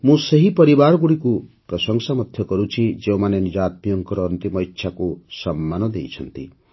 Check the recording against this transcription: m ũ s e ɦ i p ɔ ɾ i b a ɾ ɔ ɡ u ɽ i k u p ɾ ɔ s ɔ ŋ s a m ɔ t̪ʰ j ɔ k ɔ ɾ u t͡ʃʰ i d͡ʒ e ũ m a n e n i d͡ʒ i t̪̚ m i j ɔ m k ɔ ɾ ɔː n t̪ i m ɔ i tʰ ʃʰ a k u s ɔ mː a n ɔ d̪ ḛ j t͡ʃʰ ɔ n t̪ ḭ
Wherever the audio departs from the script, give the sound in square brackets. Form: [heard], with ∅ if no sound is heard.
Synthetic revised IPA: m ũ s e ɦ i p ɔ ɾ i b a ɾ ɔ ɡ u ɽ i k u p ɾ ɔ s ɔ ŋ s a m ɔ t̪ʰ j ɔ k ɔ ɾ u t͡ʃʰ i d͡ʒ e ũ m a n e n i d͡ʒ [a] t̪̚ m i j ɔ [ŋ] k ɔ ɾ ɔː n t̪ i m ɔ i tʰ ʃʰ a k u s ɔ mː a n ɔ d̪ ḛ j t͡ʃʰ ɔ n t̪ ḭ